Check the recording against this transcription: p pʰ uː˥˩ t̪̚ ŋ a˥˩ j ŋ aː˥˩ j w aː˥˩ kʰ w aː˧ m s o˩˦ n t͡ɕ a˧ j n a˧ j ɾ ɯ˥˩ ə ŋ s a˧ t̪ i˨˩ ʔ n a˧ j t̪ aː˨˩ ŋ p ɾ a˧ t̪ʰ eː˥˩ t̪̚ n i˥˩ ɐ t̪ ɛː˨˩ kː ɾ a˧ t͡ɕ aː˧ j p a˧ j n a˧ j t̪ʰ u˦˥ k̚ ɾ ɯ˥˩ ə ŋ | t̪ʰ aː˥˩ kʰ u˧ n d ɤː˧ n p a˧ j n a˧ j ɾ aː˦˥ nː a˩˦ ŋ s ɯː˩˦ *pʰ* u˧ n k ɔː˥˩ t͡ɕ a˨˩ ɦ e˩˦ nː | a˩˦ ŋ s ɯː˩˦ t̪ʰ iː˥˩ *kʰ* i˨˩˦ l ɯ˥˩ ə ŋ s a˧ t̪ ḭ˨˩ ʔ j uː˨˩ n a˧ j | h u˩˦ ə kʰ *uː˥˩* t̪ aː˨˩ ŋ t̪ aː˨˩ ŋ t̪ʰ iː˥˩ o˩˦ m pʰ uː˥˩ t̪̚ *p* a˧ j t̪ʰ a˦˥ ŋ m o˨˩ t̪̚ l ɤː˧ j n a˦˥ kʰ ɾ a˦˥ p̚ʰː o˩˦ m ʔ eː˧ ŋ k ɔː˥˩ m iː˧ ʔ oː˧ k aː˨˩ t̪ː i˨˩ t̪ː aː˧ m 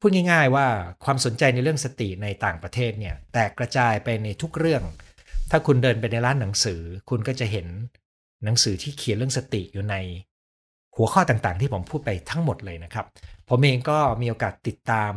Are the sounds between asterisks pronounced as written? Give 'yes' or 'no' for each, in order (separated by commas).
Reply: no, yes, no, yes